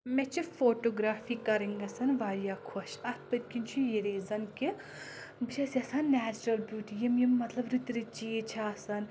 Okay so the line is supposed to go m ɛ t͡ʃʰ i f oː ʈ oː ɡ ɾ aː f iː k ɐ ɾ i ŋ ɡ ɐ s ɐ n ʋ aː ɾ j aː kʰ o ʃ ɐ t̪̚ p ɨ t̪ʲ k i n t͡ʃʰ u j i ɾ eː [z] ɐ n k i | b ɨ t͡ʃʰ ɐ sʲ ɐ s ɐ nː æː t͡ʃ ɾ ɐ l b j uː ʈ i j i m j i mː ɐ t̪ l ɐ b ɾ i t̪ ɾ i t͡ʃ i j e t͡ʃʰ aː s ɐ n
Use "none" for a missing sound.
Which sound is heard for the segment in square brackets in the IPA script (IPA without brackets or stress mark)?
z